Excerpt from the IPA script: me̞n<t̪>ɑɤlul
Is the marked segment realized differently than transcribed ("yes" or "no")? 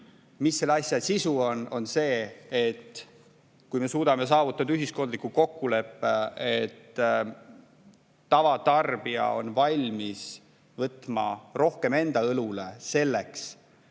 yes